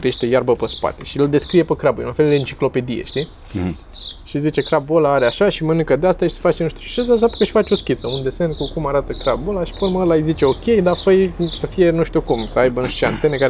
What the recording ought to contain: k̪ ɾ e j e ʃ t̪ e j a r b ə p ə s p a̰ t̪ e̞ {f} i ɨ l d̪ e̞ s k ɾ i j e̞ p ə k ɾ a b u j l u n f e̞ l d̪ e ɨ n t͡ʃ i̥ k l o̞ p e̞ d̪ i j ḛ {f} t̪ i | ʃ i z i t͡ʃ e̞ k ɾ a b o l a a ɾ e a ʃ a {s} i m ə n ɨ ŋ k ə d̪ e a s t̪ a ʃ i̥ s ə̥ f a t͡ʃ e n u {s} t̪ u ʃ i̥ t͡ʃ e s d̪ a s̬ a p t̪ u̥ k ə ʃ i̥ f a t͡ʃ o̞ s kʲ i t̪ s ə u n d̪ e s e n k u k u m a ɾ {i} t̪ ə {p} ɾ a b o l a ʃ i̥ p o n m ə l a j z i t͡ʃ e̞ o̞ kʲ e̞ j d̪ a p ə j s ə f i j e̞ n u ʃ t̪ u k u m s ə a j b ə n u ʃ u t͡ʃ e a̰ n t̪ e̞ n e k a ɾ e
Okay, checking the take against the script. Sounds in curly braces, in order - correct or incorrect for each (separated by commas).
incorrect, incorrect, incorrect, incorrect, incorrect, incorrect